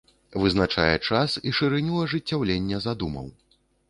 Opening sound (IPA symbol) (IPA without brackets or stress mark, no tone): v